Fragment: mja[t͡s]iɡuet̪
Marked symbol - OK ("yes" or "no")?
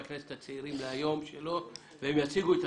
yes